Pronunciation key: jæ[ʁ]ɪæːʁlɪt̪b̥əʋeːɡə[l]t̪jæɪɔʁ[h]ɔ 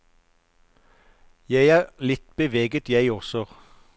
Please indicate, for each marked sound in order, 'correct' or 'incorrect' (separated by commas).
incorrect, incorrect, incorrect